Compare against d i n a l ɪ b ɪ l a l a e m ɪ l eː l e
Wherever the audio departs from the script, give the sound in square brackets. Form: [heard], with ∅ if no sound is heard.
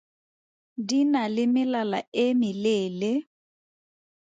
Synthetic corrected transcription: d i n a l ɪ [m] ɪ l a l a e m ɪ l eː l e